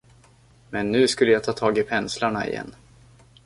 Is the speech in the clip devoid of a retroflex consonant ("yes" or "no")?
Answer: no